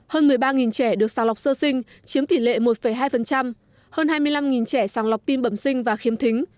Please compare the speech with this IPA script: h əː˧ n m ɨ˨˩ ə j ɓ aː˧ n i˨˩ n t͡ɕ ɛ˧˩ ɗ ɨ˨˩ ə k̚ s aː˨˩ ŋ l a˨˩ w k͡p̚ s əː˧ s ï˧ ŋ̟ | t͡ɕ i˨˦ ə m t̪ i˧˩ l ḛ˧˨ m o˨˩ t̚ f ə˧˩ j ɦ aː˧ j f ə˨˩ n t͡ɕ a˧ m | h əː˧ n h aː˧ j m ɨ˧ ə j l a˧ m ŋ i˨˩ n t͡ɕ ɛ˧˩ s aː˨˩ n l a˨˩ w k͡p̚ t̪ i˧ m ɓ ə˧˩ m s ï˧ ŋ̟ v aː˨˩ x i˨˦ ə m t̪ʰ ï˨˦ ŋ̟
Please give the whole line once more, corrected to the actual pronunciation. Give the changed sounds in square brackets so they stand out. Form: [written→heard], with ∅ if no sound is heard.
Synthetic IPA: h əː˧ n m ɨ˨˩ ə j ɓ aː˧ [n→ŋ] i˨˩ n t͡ɕ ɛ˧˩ ɗ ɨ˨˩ ə k̚ s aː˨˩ ŋ l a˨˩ w k͡p̚ s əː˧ s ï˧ ŋ̟ | t͡ɕ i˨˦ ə m t̪ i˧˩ l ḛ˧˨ m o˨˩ t̚ f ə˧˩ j ɦ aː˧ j f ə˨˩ n t͡ɕ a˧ m | h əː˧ n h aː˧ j m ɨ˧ ə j l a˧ m ŋ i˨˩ n t͡ɕ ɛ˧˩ s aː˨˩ [n→ŋ] l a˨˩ w k͡p̚ t̪ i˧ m ɓ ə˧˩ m s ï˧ ŋ̟ v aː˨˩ x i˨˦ ə m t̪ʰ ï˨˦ ŋ̟